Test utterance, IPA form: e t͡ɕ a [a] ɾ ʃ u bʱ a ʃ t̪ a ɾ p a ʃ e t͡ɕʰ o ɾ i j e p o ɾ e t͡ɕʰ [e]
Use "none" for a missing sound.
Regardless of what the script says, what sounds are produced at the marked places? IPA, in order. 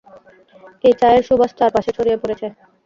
e, e

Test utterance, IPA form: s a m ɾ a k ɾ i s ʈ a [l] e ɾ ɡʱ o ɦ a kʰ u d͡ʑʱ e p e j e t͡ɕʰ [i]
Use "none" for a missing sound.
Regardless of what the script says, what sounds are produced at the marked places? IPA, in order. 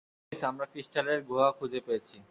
l, i

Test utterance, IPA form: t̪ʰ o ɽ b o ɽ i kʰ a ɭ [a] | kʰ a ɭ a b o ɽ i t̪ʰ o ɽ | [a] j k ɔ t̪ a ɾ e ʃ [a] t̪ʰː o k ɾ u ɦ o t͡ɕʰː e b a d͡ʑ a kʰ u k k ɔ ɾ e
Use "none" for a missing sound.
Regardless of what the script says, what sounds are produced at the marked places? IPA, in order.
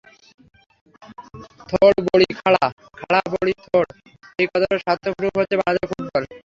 a, e, a

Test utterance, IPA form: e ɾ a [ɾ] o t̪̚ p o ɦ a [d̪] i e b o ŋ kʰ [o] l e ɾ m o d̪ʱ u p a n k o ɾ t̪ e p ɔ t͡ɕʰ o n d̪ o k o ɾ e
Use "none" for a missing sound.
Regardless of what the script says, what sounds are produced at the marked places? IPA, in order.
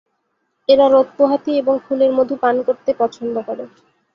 ɾ, t̪, u

